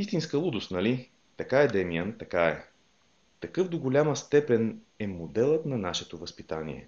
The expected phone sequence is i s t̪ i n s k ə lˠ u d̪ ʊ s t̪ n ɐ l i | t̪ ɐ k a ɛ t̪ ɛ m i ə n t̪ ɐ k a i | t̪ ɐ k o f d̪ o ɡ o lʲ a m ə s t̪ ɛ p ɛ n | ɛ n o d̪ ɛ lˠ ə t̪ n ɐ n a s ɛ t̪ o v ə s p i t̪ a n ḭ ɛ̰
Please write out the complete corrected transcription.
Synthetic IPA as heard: i s t̪ i n s k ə lˠ u d̪ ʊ s t̪ n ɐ l i | t̪ ɐ k a ɛ d̪ ɛ m i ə n t̪ ɐ k a ɛ | t̪ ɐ k ɤ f d̪ o ɡ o lʲ a m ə s t̪ ɛ p ɛ n | ɛ m o d̪ ɛ lˠ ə t̪ n ɐ n a ʃ ɛ t̪ o v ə s p i t̪ a n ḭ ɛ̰